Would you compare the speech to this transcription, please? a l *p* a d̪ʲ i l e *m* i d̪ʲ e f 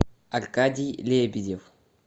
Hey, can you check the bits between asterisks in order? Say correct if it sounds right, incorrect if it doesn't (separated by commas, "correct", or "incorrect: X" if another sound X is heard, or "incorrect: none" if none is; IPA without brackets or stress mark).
incorrect: k, incorrect: b